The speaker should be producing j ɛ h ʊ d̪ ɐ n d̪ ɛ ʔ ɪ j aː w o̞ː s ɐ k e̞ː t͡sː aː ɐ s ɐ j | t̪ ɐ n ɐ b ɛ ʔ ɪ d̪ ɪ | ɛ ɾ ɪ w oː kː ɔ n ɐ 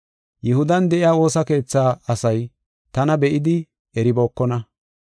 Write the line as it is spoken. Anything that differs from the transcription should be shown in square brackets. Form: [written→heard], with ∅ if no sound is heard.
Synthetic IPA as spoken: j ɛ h ʊ d̪ ɐ n d̪ ɛ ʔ ɪ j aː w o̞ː s ɐ k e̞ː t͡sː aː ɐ s ɐ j | t̪ ɐ n ɐ b ɛ ʔ ɪ d̪ ɪ | ɛ ɾ ɪ [w→b] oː kː ɔ n ɐ